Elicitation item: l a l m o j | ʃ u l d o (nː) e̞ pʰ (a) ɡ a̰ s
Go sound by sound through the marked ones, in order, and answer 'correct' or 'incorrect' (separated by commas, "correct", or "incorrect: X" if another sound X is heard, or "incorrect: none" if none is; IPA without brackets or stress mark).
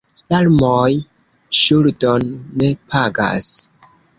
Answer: correct, correct